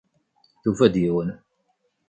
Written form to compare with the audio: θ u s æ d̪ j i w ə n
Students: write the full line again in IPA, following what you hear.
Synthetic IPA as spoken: θ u f æ d̪ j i w ə n

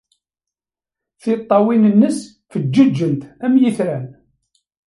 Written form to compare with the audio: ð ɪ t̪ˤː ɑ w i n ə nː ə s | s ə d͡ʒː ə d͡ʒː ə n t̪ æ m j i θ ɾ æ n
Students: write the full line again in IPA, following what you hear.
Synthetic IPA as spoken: θ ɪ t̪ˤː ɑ w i n ə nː ə s | f ə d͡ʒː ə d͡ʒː ə n t̪ æ m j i θ ɾ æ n

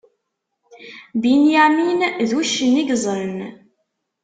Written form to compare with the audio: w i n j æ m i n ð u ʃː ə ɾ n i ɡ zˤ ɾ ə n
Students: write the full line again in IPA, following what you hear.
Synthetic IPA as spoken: b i n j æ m i n ð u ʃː ə n i ɡ zˤ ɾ ə n

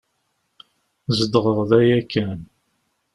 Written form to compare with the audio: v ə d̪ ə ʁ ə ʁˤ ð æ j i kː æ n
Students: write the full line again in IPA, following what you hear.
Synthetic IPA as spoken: z ə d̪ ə ʁ ə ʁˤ ð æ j æ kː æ n

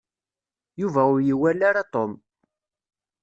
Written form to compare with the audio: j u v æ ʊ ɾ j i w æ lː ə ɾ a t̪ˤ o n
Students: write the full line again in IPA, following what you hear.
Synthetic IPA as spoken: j u v æ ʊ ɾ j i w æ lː a ɾ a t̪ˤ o m

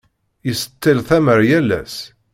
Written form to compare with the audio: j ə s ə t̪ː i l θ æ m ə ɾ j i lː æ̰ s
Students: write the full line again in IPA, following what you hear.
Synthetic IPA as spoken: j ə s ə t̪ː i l θ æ m ə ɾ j æ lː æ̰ s

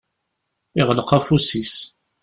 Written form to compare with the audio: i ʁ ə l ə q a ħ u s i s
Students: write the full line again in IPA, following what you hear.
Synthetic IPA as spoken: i ʁ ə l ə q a f u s i s

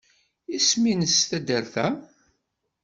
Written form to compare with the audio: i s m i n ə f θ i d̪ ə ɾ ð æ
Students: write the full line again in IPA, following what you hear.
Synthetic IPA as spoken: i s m i n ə s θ æ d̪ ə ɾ θ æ

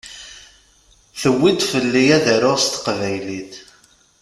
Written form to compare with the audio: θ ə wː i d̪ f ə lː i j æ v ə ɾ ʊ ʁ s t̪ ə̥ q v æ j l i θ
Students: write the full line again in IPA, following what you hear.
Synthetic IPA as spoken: θ ə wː i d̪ f ə lː i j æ ð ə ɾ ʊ ʁ s t̪ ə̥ q v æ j l i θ

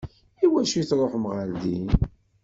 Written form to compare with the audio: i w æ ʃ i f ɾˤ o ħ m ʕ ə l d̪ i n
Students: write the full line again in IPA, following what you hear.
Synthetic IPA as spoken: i w æ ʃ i θ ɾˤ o ħ m ʁ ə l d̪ i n

